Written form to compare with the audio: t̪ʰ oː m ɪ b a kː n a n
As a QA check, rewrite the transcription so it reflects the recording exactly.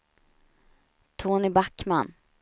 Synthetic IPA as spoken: t̪ʰ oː n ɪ b a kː m a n

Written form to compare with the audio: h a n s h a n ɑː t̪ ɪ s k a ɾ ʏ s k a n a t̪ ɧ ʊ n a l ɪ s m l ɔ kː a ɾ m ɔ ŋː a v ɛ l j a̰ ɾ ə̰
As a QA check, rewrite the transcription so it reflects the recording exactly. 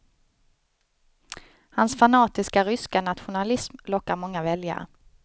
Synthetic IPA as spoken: h a n s f a n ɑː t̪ ɪ s k a ɾ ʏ s k a n a t̪ ɧ ʊ n a l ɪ s m l ɔ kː a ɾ m ɔ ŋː a v ɛ l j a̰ ɾ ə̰

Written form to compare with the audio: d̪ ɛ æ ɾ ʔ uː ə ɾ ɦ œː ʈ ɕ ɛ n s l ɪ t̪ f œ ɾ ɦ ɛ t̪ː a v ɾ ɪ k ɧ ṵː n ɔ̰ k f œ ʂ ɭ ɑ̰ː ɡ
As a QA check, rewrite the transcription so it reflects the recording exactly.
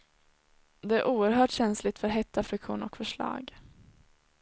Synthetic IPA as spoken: d̪ ɛ æ ɾ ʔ uː ə ɾ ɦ œː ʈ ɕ ɛ n s l ɪ t̪ f œ ɾ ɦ ɛ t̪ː a f ɾ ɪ k ɧ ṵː n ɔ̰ k f œ ʂ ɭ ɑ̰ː ɡ

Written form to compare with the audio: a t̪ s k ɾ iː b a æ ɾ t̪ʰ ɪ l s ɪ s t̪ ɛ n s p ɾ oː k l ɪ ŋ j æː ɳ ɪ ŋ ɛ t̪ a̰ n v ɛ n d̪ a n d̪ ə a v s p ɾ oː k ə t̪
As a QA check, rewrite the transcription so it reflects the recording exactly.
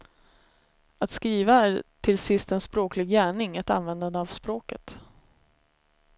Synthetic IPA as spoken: a t̪ s k ɾ iː v a æ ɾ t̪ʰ ɪ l s ɪ s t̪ ɛ n s p ɾ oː k l ɪ ɡ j æː ɳ ɪ ŋ ɛ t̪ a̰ n v ɛ n d̪ a n d̪ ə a v s p ɾ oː k ə t̪

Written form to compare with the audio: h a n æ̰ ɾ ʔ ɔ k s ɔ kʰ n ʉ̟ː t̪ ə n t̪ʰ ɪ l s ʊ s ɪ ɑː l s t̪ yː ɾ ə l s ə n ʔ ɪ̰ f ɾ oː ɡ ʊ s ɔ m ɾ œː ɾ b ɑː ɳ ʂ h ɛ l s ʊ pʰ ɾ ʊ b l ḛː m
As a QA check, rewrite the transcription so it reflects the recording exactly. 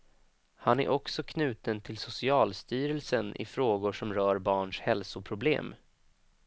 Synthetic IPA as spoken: h a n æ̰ ɾ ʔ ɔ k s ɔ kʰ n ʉ̟ː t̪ ə n t̪ʰ ɪ l s ʊ s ɪ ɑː l s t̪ yː ɾ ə l s ə n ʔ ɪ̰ f ɾ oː ɡ ʊ ʂ ɔ m ɾ œː ɾ b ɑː ɳ ʂ h ɛ l s ʊ pʰ ɾ ʊ b l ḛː m

